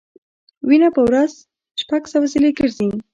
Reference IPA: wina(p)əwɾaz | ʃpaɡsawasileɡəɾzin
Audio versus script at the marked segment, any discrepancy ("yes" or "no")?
no